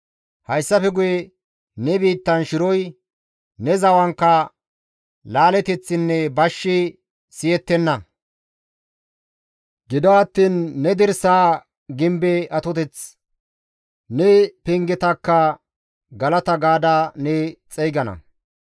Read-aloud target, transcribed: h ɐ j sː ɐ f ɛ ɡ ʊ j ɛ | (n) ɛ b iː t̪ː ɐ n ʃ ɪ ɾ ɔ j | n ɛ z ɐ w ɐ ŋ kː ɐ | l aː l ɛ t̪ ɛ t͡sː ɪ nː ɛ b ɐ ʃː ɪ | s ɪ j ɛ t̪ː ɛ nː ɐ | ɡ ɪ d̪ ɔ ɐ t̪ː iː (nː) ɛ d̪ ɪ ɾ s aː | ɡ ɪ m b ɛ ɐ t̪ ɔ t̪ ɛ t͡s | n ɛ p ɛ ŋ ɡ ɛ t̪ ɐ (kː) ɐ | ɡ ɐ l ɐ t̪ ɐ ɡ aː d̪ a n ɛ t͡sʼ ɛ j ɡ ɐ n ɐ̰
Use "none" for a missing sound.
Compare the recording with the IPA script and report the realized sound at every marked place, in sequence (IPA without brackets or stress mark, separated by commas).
n, nː, kː